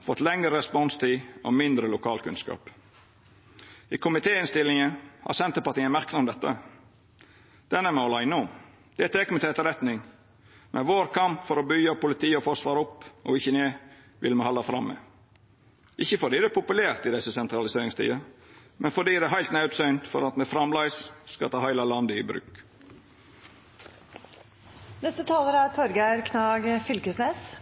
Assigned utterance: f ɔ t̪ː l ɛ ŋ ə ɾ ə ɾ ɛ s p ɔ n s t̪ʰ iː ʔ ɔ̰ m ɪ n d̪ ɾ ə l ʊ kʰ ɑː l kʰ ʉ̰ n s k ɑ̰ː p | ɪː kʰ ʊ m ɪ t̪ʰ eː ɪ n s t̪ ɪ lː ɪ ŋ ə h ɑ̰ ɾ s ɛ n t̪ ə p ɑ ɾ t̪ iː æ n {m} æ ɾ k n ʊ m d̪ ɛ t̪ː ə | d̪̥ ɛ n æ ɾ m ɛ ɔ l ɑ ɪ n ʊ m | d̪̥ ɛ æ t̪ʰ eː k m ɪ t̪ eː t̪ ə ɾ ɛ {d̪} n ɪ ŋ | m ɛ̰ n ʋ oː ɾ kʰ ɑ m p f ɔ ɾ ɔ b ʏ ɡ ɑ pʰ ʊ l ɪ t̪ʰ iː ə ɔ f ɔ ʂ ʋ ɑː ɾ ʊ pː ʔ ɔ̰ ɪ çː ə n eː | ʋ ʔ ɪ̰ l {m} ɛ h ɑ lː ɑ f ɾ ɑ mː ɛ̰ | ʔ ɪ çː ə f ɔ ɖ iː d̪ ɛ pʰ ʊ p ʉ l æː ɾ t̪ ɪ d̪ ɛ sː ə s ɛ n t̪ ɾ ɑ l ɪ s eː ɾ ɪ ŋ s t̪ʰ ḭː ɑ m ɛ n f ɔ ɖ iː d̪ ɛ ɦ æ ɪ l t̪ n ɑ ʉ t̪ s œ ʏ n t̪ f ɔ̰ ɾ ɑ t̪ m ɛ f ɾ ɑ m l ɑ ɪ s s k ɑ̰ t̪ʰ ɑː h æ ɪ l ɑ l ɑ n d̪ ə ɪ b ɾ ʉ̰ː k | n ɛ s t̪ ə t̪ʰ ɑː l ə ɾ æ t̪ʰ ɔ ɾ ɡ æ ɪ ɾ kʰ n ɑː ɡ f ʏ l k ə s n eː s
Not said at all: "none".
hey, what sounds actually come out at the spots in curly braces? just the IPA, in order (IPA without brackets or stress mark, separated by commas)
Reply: m, t̪, m